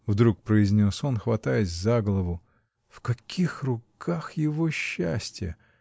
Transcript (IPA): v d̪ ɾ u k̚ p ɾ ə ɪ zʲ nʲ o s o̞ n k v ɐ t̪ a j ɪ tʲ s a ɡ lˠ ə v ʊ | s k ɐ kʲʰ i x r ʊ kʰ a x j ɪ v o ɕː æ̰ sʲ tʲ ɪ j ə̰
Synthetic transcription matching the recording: v d̪ ɾ u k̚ p ɾ ə ɪ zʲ nʲ o s o̞ n x v ɐ t̪ a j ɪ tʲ z a ɡ lˠ ə v ʊ | f k ɐ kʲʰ i x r ʊ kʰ a x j ɪ v o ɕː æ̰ sʲ tʲ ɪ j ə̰

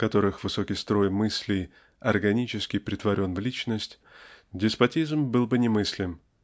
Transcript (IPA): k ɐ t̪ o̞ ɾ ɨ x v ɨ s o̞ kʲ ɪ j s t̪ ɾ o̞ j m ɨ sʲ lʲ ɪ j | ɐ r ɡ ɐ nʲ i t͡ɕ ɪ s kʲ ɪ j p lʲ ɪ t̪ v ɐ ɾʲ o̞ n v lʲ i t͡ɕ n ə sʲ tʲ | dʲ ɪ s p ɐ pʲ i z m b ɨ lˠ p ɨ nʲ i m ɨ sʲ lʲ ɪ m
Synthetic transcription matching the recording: k ɐ t̪ o̞ ɾ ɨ x v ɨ s o̞ kʲ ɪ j s t̪ ɾ o̞ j m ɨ sʲ lʲ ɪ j | ɐ r ɡ ɐ nʲ i t͡ɕ ɪ s kʲ ɪ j p ɾʲ ɪ t̪ v ɐ ɾʲ o̞ n v lʲ i t͡ɕ n ə sʲ tʲ | dʲ ɪ s p ɐ tʲ i z m b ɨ lˠ b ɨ nʲ ɪ m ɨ sʲ lʲ ɪ m

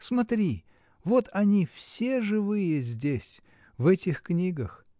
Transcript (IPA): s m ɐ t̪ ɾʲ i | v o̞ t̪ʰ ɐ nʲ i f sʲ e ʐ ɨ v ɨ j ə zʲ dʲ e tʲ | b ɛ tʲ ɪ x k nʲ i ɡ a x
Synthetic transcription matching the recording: s m ɐ t̪ ɾʲ i | v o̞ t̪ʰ ɐ nʲ i f sʲ e ʐ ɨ v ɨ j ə zʲ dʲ e sʲ | v ɛ tʲ ɪ x k nʲ i ɡ ə x

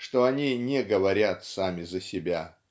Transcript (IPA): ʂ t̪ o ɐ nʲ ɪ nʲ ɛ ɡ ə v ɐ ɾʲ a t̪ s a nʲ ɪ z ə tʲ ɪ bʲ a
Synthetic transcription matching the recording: ʂ t̪ o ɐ nʲ i nʲ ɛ ɡ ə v ɐ ɾʲ a t̪ s a mʲ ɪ z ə sʲ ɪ bʲ a

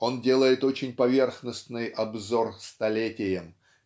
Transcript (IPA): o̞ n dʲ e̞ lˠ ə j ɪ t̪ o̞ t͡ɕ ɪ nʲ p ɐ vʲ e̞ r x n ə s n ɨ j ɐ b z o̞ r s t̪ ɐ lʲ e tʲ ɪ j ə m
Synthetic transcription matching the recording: o̞ n dʲ e̞ lˠ ə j ɪ t̪ o̞ t͡ɕ ɪ nʲ p ɐ vʲ e̞ r x n ə s n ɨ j ɐ b z o̞ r s t̪ ɐ lʲ e tʲ ɪ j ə m

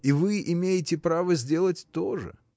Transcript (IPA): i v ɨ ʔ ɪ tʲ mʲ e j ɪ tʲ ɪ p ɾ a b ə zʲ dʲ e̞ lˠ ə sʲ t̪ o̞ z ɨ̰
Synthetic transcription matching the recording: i v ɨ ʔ ɪ mʲ e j ɪ tʲ ɪ p ɾ a v ə zʲ dʲ e̞ lˠ ə tʲ t̪ o̞ ʐ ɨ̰

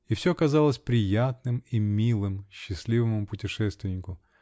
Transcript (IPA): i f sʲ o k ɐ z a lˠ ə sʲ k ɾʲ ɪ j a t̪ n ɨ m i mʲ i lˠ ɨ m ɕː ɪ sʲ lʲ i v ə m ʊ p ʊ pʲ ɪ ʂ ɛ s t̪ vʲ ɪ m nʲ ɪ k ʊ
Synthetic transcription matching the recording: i f sʲ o k ɐ z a lˠ ə sʲ p ɾʲ ɪ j a t̪ n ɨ m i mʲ i lˠ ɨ m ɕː ɪ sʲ lʲ i v ə m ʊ p ʊ tʲ ɪ ʂ ɛ s t̪ vʲ ɪ nʲ ɪ k ʊ

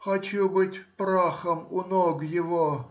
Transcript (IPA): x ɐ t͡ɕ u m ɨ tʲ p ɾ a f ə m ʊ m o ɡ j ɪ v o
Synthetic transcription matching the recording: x ɐ t͡ɕ u b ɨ tʲ p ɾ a x ə m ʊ n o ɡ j ɪ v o

